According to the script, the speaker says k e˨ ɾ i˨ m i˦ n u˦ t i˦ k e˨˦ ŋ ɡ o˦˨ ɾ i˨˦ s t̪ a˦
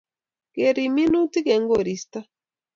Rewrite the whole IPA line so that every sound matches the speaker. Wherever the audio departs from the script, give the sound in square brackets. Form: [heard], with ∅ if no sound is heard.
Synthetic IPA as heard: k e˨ ɾ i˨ m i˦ n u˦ t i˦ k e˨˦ ŋ ɡ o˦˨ ɾ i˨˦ s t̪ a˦